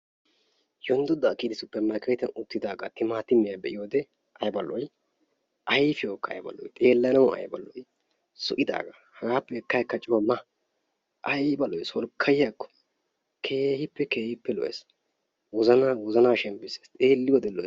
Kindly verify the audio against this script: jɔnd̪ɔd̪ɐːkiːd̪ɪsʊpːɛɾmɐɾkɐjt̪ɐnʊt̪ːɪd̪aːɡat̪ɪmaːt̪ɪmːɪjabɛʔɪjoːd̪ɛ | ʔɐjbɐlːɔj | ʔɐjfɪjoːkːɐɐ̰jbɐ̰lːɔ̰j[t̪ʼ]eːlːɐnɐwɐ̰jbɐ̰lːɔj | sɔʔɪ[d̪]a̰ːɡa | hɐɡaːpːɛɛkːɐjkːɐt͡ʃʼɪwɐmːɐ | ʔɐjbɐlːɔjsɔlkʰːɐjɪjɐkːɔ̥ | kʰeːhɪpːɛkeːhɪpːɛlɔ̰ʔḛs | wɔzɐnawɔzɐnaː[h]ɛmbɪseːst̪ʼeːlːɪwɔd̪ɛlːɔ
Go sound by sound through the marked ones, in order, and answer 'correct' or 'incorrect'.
correct, correct, incorrect: ʃ

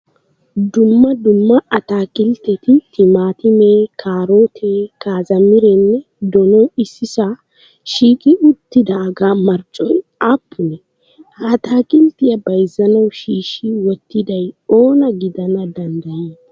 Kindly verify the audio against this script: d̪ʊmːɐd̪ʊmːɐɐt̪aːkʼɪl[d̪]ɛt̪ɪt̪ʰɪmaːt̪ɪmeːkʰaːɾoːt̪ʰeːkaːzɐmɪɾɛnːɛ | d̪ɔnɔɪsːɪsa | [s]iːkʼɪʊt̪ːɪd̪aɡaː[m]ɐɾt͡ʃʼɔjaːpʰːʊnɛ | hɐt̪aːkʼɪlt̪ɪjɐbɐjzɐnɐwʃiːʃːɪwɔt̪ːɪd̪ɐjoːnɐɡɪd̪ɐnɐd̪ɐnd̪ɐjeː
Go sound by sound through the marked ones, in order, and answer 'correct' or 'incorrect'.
incorrect: t̪, incorrect: ʃ, correct

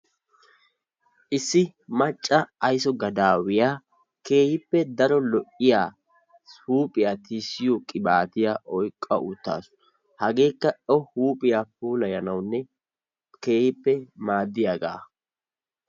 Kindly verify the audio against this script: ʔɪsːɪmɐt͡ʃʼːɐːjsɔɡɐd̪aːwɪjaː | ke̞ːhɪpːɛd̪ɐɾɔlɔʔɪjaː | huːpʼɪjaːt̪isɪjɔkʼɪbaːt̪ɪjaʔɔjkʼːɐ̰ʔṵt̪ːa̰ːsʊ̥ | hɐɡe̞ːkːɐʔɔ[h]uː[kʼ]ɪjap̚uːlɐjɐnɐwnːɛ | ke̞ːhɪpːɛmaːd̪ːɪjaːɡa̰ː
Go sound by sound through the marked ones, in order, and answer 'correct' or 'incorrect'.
correct, incorrect: pʼ

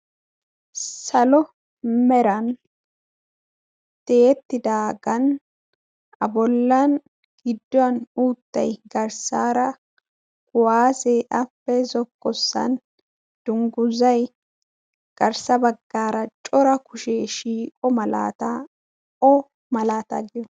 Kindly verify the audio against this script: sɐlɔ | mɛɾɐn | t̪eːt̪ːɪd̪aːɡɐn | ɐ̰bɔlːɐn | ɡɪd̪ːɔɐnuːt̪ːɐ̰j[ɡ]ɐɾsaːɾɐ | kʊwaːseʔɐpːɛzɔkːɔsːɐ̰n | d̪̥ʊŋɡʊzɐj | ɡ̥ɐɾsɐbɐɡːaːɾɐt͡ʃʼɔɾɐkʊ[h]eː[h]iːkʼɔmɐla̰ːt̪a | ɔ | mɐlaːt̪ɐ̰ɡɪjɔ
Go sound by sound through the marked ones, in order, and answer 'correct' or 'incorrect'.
correct, incorrect: ʃ, incorrect: ʃ

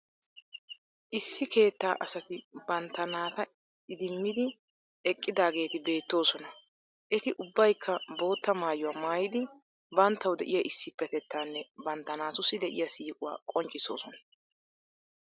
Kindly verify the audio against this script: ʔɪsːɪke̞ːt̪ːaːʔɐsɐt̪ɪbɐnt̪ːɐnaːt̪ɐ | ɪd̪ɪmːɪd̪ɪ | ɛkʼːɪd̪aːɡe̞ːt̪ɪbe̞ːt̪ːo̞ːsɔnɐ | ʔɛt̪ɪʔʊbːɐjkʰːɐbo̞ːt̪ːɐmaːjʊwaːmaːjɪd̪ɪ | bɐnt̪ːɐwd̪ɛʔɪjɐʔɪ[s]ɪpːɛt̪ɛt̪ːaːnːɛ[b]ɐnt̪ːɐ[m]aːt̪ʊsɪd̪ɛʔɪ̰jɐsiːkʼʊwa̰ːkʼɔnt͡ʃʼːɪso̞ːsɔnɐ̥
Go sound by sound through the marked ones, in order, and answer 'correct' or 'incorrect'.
incorrect: sː, correct, incorrect: n

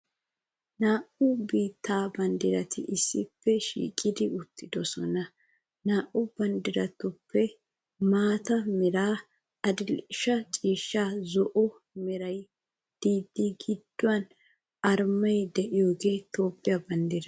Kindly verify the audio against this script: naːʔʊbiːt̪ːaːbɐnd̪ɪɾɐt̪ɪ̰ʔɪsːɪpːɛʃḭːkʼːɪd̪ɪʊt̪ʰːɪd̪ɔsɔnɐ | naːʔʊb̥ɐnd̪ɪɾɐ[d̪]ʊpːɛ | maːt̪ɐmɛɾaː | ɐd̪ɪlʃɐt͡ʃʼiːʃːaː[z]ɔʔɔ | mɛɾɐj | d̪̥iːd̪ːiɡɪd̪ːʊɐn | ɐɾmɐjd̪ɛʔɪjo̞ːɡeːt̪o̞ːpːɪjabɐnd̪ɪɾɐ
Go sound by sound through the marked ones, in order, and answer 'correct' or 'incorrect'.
incorrect: t̪, correct

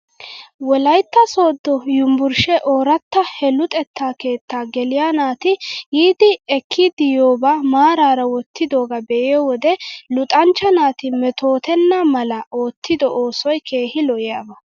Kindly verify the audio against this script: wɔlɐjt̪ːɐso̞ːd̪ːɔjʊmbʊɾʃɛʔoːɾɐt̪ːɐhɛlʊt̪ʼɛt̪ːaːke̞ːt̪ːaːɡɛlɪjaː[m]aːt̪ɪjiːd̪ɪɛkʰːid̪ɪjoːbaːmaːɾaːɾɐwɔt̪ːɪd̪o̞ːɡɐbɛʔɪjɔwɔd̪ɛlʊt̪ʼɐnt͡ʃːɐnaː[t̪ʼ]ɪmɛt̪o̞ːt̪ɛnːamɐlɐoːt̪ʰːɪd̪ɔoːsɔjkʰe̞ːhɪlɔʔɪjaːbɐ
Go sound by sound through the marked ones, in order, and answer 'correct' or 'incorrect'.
incorrect: n, incorrect: t̪

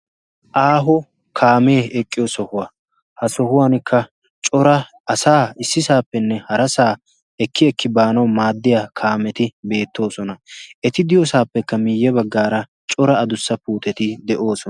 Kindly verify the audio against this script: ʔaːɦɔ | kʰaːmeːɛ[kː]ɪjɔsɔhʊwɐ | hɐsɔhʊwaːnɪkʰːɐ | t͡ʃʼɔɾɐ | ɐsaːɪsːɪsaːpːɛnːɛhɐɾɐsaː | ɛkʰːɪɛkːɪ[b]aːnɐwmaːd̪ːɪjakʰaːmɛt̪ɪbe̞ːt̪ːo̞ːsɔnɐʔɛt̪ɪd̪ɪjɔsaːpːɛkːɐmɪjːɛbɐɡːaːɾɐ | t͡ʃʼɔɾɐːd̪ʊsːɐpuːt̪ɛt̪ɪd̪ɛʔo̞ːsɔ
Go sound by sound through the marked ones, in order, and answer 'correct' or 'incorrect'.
incorrect: kʼː, correct

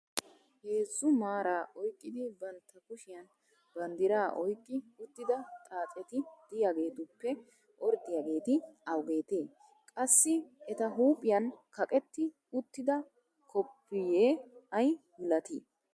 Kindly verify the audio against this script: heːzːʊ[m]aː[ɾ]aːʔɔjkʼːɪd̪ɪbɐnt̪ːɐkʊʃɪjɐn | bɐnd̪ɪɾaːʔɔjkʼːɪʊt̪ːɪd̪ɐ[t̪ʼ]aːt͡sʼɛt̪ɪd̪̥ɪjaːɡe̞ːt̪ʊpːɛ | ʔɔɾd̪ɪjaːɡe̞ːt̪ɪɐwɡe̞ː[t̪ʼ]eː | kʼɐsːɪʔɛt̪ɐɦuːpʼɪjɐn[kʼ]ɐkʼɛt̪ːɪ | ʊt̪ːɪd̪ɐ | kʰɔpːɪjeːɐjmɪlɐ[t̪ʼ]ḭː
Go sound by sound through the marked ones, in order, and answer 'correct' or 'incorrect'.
correct, correct, correct, incorrect: t̪, incorrect: k, incorrect: t̪

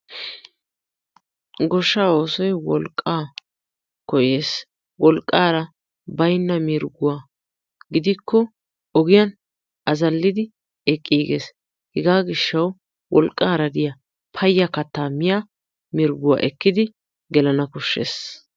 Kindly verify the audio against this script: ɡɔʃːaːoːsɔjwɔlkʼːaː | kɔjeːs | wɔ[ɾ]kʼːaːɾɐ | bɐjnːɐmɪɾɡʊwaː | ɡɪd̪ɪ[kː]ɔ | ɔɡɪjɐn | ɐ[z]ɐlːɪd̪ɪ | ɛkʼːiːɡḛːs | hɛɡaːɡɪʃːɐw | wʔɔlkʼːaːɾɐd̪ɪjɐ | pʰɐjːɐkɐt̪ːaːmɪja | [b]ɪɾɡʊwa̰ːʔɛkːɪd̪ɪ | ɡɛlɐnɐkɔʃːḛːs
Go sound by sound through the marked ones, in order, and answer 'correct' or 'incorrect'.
incorrect: l, correct, correct, incorrect: m

